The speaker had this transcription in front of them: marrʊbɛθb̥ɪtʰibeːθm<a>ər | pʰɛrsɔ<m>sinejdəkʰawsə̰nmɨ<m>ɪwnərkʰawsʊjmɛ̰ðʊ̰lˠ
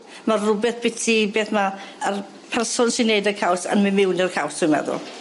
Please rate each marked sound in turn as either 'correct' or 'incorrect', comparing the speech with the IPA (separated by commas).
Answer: correct, incorrect, correct